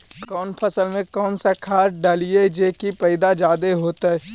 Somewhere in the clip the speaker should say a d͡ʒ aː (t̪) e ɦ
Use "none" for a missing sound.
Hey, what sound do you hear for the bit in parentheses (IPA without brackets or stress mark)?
d̪